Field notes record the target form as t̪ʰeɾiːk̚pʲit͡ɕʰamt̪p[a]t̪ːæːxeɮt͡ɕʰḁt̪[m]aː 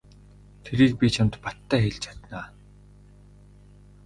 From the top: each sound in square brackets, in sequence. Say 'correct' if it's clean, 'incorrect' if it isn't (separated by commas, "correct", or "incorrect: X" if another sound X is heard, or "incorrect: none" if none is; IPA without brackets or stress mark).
correct, incorrect: n